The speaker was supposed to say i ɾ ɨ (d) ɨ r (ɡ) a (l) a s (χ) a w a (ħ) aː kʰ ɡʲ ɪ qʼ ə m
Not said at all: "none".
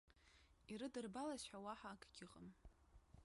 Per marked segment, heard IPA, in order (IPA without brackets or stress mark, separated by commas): d, b, l, ħ, ħ